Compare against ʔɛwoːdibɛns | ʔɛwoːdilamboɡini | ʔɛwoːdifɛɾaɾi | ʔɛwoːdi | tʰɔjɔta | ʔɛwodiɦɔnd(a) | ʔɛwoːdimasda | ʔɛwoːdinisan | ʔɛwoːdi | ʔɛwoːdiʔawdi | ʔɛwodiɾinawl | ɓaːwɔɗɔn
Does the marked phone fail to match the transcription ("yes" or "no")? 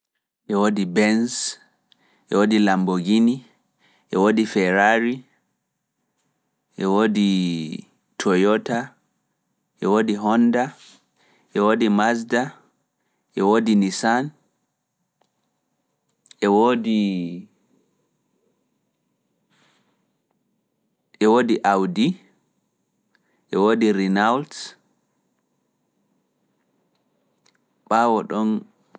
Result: no